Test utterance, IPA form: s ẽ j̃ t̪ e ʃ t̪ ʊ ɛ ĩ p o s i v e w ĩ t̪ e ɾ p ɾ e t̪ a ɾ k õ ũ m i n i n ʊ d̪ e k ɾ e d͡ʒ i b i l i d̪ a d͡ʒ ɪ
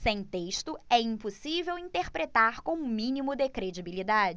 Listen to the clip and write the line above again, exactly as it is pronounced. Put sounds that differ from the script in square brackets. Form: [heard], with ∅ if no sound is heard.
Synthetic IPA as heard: s ẽ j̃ t̪ e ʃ t̪ ʊ ɛ ĩ p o s i v e w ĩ t̪ e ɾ p ɾ e t̪ a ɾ k õ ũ m [ĩ] n i [m] ʊ d̪ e k ɾ e d͡ʒ i b i l i d̪ a d͡ʒ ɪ